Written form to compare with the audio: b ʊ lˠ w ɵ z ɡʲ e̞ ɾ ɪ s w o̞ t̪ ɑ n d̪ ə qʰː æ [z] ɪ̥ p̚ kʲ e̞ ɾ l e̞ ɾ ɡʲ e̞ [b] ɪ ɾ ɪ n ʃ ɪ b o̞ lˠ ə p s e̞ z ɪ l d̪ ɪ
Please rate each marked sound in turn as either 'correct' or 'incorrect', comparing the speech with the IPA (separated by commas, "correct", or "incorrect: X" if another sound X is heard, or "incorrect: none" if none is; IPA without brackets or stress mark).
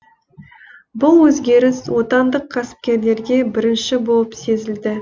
incorrect: s, correct